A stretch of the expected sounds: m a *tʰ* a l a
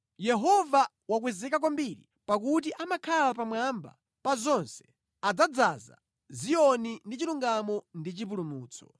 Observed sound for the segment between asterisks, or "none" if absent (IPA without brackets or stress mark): kʰ